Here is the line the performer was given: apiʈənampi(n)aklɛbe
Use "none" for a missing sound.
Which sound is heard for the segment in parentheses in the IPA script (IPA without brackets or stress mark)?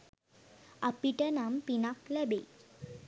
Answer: n